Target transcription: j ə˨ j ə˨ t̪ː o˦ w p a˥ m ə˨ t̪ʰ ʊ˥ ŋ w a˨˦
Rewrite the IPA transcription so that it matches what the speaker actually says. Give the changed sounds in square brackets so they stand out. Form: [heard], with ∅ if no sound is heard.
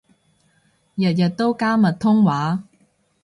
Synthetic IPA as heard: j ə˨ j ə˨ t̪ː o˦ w [k] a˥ m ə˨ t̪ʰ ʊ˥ ŋ w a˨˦